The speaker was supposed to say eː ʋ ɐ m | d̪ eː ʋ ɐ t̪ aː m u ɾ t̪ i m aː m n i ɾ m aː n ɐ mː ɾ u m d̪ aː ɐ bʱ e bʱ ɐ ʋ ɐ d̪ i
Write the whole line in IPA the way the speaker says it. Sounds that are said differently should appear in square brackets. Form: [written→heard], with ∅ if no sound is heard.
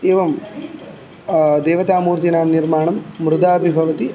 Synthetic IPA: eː ʋ ɐ m | d̪ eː ʋ ɐ t̪ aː m [u→uː] ɾ t̪ i [m→n] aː m n i ɾ m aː [n→ɳ] ɐ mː ɾ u [m→∅] d̪ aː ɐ bʱ [e→i] bʱ ɐ ʋ ɐ [d̪→t̪] i